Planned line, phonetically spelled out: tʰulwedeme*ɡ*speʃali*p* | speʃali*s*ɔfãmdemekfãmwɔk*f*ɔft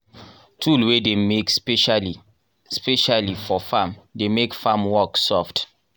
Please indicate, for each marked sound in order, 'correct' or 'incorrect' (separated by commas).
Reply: incorrect, incorrect, incorrect, incorrect